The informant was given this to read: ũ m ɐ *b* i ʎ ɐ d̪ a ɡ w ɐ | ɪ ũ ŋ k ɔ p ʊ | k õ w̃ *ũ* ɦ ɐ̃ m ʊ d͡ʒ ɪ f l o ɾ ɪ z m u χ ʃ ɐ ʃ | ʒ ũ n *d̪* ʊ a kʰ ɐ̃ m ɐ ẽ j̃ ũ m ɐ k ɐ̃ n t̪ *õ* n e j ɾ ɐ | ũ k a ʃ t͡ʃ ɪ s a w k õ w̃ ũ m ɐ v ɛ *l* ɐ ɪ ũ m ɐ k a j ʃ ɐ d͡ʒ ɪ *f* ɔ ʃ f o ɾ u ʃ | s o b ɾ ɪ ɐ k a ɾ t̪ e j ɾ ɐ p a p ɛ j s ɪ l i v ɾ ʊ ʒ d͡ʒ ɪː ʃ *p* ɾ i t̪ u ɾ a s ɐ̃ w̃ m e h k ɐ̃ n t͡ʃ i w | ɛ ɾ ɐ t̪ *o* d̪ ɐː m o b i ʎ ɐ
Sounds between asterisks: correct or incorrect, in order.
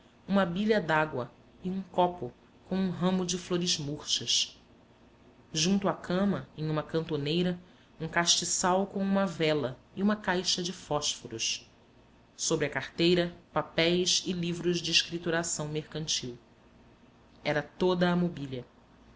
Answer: correct, correct, incorrect, incorrect, correct, correct, incorrect, correct

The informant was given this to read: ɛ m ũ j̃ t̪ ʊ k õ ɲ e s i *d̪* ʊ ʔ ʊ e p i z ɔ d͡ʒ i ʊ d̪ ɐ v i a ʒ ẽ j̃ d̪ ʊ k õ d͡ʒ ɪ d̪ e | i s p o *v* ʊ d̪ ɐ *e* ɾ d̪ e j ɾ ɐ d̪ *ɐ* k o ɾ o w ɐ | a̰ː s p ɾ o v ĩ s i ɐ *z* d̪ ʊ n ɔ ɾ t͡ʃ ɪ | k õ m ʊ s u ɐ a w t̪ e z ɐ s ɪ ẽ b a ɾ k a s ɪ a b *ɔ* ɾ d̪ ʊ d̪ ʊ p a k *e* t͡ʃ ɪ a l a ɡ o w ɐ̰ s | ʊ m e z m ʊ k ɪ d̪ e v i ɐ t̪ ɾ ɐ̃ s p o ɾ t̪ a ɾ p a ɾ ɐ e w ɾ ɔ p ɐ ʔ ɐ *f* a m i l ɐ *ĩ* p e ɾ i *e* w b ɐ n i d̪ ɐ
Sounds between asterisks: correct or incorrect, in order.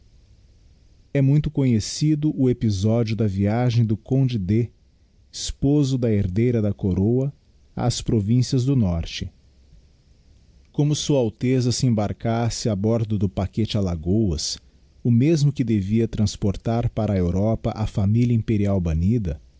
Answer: correct, incorrect, correct, correct, correct, correct, correct, correct, correct, incorrect

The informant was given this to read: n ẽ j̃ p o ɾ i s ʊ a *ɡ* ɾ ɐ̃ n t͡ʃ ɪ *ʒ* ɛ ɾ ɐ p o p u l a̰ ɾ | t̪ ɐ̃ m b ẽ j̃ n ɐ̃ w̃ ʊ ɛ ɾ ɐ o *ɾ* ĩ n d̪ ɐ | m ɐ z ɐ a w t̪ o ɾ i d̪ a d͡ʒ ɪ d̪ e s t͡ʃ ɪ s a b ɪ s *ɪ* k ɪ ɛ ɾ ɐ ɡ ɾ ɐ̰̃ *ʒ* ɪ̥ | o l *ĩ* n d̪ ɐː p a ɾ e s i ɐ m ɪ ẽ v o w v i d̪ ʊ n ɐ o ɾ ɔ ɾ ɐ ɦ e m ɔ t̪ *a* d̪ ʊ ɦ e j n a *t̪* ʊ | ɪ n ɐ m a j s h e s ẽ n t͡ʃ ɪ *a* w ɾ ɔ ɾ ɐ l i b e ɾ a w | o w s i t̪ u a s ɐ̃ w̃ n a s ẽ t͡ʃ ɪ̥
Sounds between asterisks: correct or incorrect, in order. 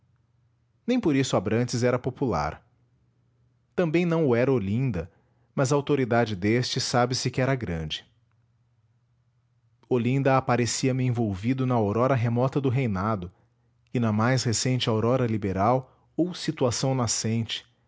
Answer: incorrect, incorrect, incorrect, correct, incorrect, correct, incorrect, incorrect, correct

